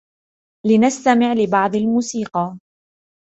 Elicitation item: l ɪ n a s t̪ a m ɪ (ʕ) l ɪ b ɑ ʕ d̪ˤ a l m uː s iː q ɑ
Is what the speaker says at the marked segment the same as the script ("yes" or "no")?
yes